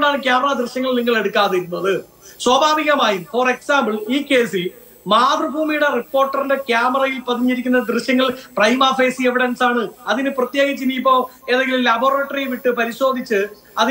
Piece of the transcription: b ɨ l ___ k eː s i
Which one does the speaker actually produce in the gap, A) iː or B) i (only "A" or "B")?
A